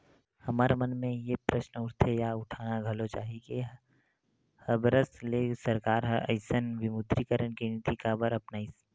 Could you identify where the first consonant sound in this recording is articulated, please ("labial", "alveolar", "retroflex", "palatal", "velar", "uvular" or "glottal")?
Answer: glottal